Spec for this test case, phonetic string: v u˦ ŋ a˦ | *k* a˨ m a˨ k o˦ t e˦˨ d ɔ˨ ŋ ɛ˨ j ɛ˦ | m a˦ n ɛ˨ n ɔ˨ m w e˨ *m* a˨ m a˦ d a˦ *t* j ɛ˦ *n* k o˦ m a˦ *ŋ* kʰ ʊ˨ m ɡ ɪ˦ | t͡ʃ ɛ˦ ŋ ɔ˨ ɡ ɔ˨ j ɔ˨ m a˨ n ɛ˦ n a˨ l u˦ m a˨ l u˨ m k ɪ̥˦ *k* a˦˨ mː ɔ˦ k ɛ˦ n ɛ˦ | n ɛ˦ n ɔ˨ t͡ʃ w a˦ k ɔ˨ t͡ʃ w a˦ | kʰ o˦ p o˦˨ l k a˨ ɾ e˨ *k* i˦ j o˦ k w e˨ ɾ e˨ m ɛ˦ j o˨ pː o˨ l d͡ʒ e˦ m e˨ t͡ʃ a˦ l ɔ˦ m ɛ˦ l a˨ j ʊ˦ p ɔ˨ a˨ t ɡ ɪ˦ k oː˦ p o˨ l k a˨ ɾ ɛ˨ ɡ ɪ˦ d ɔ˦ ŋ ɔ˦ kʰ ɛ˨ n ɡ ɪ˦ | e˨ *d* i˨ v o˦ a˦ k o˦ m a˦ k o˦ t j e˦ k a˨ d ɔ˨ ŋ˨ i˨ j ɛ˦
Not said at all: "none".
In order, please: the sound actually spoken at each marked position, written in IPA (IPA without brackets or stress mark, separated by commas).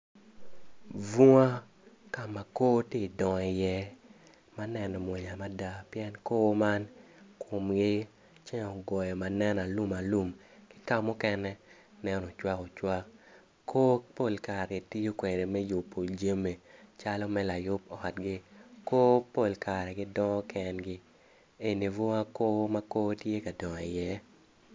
k, ɲ, p, n, n, k, t, n